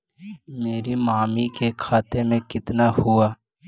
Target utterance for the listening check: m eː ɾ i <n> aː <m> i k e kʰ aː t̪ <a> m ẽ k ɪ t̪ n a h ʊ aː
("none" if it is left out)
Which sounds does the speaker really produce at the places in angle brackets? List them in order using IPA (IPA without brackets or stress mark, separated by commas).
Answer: m, m, e